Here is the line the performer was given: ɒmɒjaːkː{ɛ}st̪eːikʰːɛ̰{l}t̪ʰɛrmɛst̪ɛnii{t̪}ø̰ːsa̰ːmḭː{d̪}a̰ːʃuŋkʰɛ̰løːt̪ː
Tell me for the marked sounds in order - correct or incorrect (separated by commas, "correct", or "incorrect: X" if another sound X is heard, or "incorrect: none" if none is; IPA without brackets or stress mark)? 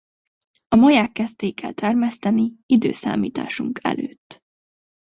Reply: correct, correct, incorrect: d̪, incorrect: t̪